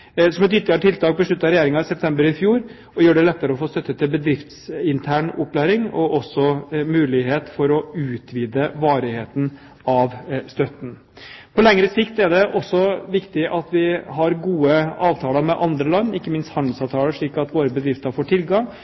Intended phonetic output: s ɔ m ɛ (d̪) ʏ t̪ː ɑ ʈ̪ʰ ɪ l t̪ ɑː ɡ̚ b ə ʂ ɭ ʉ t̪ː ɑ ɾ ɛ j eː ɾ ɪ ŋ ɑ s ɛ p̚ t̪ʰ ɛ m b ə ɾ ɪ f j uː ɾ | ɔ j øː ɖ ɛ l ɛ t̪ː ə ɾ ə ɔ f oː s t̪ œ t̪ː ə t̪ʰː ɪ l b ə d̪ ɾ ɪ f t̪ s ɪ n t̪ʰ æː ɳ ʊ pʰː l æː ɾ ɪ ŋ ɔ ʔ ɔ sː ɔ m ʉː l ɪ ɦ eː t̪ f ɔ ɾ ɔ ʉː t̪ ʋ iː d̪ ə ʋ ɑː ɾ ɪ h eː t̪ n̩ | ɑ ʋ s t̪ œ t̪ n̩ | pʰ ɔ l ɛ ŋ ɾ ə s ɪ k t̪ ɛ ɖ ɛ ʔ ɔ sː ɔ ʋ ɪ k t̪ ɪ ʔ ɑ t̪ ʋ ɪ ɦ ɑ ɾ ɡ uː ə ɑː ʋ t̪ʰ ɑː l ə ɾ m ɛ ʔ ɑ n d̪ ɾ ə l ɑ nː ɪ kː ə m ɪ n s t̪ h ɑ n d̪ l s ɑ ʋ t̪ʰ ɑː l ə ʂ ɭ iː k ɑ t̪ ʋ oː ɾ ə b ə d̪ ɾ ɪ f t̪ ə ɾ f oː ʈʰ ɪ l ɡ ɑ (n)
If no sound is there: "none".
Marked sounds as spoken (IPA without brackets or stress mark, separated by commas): t̪, ŋ